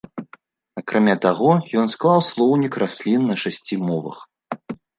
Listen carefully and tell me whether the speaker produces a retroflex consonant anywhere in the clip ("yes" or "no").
yes